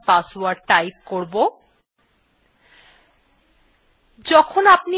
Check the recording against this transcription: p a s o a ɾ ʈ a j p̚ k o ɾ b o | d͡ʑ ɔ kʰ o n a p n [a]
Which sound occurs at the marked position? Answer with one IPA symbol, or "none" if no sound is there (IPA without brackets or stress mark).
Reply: i